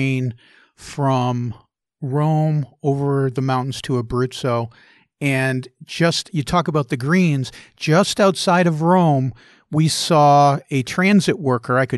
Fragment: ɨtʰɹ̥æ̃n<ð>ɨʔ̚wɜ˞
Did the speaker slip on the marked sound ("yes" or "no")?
yes